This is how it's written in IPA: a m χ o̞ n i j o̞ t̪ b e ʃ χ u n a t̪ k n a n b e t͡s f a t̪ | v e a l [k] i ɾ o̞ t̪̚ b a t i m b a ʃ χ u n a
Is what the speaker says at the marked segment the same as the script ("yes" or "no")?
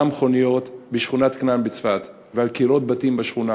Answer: yes